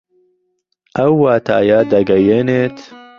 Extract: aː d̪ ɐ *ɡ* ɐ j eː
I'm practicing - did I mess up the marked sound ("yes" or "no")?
no